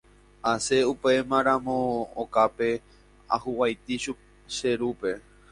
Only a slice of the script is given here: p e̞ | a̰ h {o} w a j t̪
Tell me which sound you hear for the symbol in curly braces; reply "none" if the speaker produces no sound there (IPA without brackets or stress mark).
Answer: u